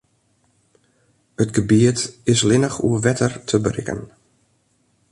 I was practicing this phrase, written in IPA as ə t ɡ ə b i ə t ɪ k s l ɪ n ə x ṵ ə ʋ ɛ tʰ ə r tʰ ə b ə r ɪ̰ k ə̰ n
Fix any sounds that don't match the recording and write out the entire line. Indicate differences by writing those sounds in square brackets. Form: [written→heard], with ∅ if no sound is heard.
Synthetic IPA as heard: ə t ɡ ə b i ə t ɪ [k→∅] s l ɪ n ə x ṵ ə ʋ ɛ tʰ ə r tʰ ə b ə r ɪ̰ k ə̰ n